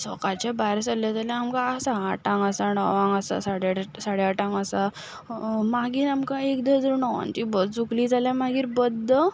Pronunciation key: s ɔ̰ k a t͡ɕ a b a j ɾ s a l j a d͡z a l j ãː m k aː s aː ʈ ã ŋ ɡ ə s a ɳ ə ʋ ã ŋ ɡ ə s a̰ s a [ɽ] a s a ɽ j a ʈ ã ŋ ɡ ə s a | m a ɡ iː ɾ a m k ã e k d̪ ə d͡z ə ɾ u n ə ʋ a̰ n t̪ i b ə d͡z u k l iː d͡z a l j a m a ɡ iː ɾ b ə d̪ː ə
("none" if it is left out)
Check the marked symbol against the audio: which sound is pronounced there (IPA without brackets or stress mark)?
ɽ